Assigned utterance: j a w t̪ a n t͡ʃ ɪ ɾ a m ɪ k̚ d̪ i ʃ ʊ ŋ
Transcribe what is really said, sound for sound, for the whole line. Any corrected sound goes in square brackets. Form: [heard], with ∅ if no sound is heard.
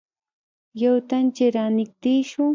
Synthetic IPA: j a w t̪ a n t͡ʃ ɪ ɾ a [n] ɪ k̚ [t̪] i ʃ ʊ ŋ

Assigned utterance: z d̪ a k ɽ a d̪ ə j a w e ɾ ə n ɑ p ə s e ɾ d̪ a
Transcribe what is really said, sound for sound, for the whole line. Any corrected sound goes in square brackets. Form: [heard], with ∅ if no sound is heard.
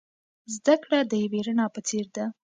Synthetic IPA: z d̪ a k ɽ a d̪ ə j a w e ɾ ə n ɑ p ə [t͡s] e ɾ d̪ a

